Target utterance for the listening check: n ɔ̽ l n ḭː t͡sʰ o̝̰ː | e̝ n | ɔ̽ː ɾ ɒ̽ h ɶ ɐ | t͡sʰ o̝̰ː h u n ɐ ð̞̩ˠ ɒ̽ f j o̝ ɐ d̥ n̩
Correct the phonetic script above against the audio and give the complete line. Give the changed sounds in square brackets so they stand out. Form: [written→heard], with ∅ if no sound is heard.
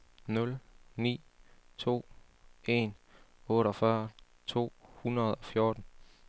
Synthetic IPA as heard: n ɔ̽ l n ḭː t͡sʰ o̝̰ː | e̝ n | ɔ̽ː ɾ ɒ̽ [h→f] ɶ ɐ | t͡sʰ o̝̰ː h u n ɐ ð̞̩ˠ ɒ̽ f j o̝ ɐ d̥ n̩